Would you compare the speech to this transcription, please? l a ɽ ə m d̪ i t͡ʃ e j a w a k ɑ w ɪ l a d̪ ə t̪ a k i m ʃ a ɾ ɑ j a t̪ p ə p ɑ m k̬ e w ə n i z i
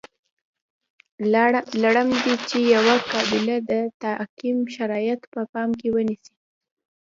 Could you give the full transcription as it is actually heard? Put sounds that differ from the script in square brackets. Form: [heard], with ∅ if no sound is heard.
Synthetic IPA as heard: l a ɽ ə m d̪ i t͡ʃ e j a w a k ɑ [b] ɪ l a d̪ ə t̪ a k i m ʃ a ɾ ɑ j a t̪ p ə p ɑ m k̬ e w ə n i [s] i